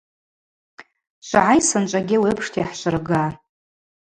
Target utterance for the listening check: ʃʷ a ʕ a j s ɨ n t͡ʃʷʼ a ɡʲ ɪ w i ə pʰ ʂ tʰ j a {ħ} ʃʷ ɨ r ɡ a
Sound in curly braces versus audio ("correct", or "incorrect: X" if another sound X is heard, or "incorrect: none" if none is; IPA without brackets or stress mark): correct